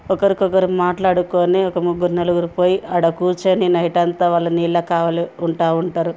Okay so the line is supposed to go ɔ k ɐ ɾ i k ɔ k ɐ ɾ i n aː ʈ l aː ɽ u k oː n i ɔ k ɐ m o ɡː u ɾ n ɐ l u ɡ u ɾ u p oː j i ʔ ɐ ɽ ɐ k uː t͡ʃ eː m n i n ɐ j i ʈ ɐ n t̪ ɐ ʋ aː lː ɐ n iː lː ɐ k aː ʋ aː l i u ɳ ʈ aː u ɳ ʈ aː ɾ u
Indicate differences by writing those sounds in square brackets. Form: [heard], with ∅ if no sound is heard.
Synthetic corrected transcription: ɔ k ɐ ɾ i k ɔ k ɐ ɾ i [m] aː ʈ l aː ɽ u k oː n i ɔ k ɐ m [u] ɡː u ɾ n ɐ l u ɡ u ɾ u p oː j i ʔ ɐ ɽ ɐ k uː t͡ʃ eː [∅] n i n ɐ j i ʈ ɐ n t̪ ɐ ʋ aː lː ɐ n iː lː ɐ k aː ʋ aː l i u ɳ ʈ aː u ɳ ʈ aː ɾ u